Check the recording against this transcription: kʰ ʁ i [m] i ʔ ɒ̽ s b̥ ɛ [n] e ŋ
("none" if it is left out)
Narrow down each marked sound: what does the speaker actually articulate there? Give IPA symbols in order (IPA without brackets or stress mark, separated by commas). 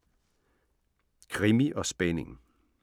m, n